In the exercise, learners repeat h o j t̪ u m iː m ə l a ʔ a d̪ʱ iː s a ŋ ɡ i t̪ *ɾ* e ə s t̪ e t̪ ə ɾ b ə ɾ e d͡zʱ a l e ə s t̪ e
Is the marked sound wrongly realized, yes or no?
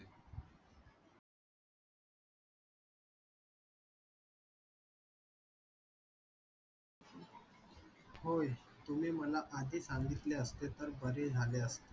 yes